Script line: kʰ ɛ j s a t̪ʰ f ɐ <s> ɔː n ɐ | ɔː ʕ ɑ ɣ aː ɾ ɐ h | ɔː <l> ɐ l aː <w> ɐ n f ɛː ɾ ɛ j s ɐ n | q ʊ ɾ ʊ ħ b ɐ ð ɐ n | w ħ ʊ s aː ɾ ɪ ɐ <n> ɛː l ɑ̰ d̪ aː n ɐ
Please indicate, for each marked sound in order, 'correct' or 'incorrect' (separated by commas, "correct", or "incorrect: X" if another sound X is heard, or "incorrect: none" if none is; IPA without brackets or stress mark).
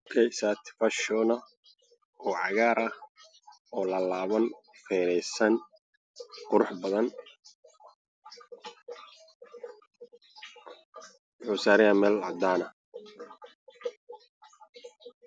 incorrect: ʃ, correct, incorrect: β, incorrect: m